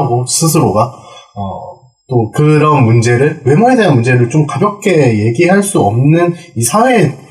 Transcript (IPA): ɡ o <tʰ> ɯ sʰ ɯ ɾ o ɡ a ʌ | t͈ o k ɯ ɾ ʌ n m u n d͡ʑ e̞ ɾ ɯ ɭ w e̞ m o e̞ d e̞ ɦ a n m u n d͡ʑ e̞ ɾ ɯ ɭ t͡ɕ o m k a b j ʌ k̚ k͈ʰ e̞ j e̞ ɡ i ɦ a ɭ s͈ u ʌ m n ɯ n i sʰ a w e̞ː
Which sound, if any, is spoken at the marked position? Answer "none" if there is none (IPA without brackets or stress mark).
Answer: sʰ